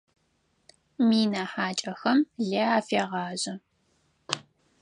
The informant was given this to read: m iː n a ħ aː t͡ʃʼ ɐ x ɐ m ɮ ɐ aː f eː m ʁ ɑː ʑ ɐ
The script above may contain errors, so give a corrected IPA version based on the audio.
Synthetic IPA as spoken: m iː n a ħ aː t͡ʃʼ ɐ x ɐ m ɮ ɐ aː f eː ʁ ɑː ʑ ɐ